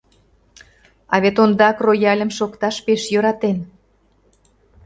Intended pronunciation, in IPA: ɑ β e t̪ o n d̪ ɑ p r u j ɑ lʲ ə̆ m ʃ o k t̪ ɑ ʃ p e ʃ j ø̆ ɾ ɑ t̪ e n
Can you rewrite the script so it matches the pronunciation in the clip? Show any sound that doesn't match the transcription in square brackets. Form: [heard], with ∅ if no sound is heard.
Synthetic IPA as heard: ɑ β e t̪ o n d̪ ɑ [k] r [o] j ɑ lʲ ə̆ m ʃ o k t̪ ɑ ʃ p e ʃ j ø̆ ɾ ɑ t̪ e n

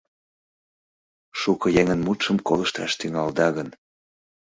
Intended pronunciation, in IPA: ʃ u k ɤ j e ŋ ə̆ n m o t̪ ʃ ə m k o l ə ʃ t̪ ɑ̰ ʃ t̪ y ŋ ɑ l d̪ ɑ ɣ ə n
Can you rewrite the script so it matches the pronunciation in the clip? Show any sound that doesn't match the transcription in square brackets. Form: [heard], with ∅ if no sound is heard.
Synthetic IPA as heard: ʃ u k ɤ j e ŋ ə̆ n m [u] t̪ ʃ ə m k o l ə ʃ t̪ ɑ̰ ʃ t̪ y ŋ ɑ l d̪ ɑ ɣ ə n

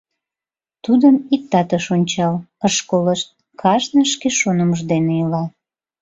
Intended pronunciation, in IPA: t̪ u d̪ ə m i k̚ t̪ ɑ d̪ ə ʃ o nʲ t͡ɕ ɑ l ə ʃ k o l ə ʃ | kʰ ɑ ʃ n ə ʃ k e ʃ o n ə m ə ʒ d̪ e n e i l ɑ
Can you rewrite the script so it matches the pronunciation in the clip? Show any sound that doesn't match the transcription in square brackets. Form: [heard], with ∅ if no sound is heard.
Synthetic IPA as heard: t̪ u d̪ ə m i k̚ t̪ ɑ [t̪] ə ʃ o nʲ t͡ɕ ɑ l ə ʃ k o l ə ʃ | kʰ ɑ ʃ n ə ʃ k e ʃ o n ə m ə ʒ d̪ e n e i l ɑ

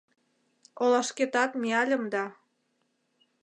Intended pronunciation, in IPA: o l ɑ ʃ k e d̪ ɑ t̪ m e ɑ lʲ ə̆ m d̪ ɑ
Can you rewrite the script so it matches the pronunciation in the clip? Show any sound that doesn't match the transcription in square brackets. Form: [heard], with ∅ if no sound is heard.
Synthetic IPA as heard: o l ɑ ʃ k e [t̪] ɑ t̪ m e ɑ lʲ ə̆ m d̪ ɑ

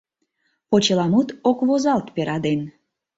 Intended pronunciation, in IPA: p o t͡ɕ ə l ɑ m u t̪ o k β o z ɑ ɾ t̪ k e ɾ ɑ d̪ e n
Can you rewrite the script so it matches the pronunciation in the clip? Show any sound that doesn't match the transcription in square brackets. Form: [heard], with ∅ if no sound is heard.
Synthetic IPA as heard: p o t͡ɕ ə l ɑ m u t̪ o k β o z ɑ [l] t̪ [p] e ɾ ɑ d̪ e n

